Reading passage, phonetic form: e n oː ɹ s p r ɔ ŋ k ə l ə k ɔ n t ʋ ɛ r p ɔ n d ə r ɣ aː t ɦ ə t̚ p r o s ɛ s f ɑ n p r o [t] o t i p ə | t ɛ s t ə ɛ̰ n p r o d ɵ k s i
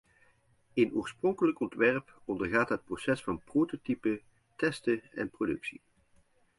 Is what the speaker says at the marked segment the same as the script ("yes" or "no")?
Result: yes